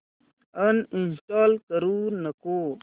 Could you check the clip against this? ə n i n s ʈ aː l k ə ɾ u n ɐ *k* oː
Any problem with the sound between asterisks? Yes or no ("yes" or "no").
no